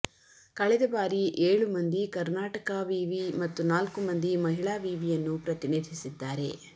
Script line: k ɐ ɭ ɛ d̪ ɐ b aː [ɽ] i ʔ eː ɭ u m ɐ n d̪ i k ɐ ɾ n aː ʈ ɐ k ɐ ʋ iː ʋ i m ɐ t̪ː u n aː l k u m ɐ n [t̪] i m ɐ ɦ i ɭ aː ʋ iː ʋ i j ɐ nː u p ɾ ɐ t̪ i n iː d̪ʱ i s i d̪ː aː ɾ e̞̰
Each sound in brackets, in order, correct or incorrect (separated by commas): incorrect, incorrect